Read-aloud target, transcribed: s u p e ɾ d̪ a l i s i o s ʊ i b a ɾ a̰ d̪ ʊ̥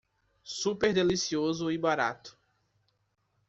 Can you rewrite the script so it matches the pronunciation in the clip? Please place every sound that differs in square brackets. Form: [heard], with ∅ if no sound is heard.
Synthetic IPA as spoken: s u p e ɾ d̪ [e] l i s i o [z] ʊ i b a ɾ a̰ [t̪] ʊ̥